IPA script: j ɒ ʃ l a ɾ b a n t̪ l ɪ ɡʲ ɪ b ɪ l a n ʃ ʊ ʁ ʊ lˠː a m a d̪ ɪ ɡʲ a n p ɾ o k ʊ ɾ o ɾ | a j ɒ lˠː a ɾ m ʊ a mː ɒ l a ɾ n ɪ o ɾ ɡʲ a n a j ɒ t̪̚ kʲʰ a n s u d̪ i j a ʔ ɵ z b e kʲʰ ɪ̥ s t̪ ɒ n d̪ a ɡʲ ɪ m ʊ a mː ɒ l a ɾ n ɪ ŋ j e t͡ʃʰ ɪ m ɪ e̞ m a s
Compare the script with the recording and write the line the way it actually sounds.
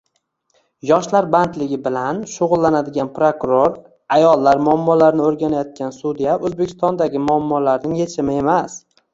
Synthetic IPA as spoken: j ɒ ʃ l a ɾ b a n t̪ l ɪ ɡʲ ɪ b ɪ l a n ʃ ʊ ʁ ʊ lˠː a n a d̪ ɪ ɡʲ a n p ɾ o k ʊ ɾ o ɾ | a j ɒ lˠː a ɾ m ʊ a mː ɒ l a ɾ n ɪ o ɾ ɡʲ a n a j ɒ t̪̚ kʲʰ a n s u d̪ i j a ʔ ɵ z b e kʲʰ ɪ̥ s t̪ ɒ n d̪ a ɡʲ ɪ m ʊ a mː ɒ l a ɾ n ɪ ŋ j e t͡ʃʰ ɪ m ɪ e̞ m a s